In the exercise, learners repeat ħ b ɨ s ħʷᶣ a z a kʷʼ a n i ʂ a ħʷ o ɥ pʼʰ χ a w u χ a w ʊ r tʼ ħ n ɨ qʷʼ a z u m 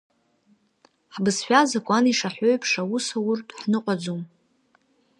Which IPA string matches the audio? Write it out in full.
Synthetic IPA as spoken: ħ b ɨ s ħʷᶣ a z a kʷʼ a n i ʂ a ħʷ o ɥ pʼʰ ʂ a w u s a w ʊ r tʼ ħ n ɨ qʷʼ a d͡z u m